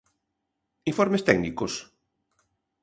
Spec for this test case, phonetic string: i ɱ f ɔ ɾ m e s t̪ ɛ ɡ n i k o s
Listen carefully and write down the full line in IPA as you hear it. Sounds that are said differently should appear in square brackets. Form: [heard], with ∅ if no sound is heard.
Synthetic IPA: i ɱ f ɔ ɾ m e s t̪ ɛ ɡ n i k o s